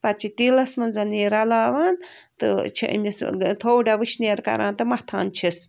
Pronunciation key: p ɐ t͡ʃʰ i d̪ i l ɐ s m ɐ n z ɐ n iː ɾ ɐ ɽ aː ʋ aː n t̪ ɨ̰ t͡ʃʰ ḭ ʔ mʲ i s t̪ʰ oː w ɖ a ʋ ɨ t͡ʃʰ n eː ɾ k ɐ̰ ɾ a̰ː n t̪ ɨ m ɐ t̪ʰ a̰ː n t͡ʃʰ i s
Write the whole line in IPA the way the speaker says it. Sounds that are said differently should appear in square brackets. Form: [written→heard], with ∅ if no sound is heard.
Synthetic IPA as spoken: p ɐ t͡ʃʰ i [d̪→t̪] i l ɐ s m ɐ n z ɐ n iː ɾ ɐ [ɽ→l] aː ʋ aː n t̪ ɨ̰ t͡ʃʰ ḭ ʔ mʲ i s t̪ʰ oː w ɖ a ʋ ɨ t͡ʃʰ n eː ɾ k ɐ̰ ɾ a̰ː n t̪ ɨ m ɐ t̪ʰ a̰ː n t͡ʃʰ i s